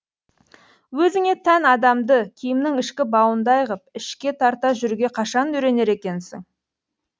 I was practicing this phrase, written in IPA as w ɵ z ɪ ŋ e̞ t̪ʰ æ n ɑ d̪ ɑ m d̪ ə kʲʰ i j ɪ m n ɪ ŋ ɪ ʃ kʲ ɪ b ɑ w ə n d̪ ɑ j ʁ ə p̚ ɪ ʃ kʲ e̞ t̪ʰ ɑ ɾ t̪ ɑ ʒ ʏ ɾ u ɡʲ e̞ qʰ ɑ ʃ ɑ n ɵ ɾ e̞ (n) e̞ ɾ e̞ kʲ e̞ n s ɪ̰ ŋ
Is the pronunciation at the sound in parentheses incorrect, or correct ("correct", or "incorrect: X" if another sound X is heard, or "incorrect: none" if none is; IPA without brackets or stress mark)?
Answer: correct